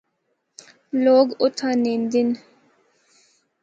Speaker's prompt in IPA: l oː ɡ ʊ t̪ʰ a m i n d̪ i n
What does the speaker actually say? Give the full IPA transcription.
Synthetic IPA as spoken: l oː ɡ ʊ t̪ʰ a n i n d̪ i n